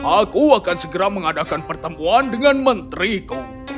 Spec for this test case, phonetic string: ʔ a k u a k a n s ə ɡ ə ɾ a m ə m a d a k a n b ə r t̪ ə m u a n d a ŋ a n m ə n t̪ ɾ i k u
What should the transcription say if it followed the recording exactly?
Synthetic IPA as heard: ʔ a k u a k a n s ə ɡ ə ɾ a m ə ŋ a d a k a n p ə r t̪ ə m u a n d ə ŋ a n m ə n t̪ ɾ i k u